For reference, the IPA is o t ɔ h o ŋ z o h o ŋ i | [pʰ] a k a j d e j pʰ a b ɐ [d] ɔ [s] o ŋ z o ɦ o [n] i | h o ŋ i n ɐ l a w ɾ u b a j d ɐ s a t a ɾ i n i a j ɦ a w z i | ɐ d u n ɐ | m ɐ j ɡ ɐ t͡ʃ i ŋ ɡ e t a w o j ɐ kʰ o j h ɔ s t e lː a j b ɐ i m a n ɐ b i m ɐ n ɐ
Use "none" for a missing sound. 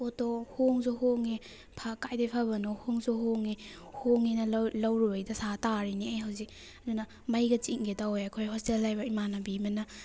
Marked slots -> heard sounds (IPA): pʰ, n, h, ŋ

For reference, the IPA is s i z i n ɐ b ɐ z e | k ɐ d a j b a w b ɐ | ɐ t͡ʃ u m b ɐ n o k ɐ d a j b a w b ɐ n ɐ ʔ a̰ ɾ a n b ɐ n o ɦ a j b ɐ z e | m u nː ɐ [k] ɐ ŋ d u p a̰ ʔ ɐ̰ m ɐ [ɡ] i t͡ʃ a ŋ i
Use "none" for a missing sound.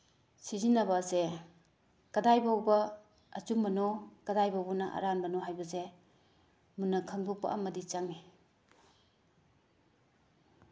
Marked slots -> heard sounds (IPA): kʰ, d

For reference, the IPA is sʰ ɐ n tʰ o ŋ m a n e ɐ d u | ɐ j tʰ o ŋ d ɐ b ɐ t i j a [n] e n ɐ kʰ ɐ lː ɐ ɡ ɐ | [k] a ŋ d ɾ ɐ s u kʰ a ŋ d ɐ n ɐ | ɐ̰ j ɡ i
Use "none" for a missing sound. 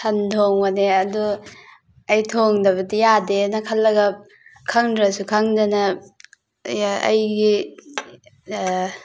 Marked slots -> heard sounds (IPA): d, kʰ

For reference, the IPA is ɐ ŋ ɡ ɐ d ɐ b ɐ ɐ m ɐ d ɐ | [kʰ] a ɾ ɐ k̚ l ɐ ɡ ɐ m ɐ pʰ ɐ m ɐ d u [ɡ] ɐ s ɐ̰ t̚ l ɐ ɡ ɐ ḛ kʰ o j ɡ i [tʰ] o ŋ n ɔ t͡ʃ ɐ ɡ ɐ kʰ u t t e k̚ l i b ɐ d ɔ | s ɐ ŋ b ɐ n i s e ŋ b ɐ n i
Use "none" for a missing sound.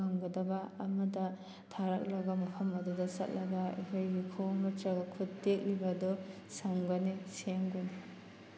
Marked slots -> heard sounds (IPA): tʰ, d, kʰ

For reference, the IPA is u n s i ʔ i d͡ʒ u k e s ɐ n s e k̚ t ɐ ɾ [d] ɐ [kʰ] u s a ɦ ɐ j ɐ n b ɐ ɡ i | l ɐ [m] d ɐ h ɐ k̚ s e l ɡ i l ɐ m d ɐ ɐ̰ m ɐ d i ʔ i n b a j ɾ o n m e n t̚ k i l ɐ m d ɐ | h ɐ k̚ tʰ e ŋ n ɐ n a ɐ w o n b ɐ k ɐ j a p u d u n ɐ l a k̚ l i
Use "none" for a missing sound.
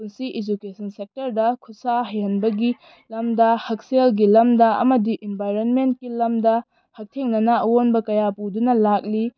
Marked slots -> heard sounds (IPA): d, kʰ, m

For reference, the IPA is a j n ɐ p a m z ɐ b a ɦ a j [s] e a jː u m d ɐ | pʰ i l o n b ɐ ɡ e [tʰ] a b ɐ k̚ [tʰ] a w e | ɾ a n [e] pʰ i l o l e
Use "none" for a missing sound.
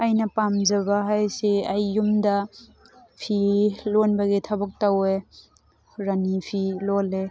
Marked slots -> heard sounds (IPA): s, tʰ, t, i

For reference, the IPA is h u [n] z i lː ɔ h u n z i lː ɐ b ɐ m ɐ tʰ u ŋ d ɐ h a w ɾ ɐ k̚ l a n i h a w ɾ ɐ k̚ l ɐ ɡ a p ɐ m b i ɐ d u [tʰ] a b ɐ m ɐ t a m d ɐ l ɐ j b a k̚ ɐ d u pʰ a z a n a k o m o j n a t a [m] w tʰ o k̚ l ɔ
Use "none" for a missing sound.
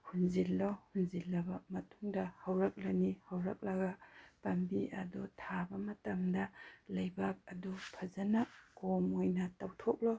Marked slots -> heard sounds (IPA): n, tʰ, none

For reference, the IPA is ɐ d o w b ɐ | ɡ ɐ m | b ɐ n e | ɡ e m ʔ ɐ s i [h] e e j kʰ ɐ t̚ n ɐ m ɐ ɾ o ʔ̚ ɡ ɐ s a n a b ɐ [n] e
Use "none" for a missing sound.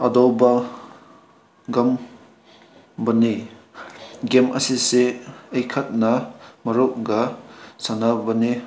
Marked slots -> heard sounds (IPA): s, n

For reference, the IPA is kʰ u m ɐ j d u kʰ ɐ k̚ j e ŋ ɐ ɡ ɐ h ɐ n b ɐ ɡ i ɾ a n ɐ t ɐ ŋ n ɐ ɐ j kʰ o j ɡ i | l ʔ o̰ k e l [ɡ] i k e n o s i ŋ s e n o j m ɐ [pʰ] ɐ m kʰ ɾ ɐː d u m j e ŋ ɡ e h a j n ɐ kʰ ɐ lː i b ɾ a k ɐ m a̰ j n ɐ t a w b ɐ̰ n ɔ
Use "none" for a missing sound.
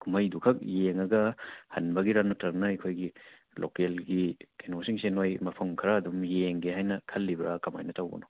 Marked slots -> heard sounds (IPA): ɡ, pʰ

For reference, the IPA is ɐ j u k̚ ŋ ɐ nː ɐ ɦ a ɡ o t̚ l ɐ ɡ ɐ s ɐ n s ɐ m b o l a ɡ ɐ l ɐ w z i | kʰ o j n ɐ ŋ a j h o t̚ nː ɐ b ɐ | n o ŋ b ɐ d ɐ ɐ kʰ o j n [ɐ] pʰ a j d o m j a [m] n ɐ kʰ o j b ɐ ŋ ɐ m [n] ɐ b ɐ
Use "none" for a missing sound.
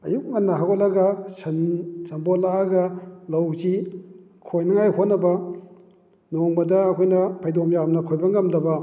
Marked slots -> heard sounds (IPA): ɐ, m, d

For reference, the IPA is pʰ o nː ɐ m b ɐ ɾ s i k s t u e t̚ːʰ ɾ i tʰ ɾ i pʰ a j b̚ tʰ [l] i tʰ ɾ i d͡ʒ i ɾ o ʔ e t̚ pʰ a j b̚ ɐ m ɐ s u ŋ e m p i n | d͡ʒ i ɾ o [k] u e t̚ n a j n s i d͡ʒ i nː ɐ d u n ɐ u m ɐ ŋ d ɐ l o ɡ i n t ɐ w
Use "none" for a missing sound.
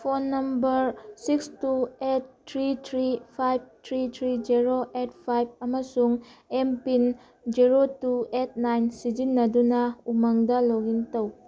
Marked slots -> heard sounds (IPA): ɾ, t

